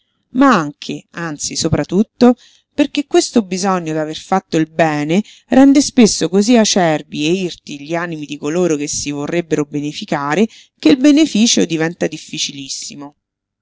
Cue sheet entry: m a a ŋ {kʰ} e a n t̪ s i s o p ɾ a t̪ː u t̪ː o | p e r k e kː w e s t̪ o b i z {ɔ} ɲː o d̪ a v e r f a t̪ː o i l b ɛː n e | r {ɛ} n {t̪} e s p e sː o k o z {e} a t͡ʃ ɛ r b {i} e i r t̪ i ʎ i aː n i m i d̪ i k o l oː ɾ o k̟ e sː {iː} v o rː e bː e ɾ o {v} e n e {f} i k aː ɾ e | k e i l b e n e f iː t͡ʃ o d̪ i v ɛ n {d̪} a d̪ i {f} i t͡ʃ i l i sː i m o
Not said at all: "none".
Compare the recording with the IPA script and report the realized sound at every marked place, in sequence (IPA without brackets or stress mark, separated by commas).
kʰ, ɔ, ɛ, d̪, i, i, i, b, f, t̪, fː